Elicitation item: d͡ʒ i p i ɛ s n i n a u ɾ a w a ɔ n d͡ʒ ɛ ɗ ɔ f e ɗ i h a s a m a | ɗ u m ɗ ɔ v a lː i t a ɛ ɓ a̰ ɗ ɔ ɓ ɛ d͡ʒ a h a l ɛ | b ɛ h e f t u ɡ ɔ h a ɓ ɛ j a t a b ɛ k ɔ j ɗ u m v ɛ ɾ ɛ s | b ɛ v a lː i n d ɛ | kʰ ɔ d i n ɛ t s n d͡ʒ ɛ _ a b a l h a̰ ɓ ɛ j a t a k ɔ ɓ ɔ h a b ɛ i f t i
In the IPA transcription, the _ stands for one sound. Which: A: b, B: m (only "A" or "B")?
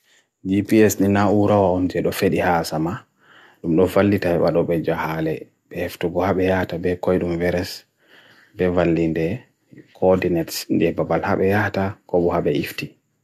A